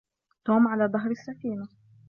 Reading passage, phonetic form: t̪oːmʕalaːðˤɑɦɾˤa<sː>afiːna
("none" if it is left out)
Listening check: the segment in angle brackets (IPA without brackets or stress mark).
sː